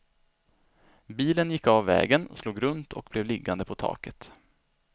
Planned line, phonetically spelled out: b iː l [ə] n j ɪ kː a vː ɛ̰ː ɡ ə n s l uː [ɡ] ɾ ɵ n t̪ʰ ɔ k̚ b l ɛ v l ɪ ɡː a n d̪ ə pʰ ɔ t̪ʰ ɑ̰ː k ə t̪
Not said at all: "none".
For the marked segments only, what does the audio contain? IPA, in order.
ə, ɡ

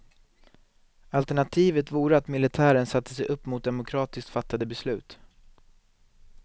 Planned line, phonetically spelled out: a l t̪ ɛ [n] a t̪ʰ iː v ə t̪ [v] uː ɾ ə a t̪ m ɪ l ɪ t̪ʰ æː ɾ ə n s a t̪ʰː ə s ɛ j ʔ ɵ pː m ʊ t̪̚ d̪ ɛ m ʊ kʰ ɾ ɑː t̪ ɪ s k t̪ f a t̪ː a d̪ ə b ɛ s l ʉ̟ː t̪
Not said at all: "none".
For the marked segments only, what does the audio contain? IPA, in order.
ɳ, v

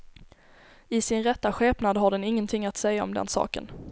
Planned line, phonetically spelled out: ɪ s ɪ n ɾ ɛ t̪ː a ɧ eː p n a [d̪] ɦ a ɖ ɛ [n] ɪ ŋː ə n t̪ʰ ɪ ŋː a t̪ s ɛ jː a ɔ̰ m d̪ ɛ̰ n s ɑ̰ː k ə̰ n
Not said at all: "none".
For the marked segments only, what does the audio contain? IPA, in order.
d̪, n

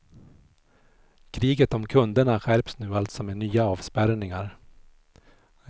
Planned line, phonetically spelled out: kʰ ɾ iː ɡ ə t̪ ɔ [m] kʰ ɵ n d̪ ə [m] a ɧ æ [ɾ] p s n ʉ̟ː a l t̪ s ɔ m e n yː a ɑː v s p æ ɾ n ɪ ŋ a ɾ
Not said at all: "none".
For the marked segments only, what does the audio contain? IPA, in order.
m, ɳ, ɾ

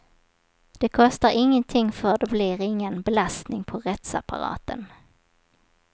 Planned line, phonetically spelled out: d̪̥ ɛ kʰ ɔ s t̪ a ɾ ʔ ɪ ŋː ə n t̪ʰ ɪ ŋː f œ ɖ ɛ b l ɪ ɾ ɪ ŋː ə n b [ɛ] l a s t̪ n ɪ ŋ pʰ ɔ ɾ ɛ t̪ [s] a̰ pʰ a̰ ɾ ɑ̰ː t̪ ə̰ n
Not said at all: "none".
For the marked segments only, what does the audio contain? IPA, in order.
ɛ, s

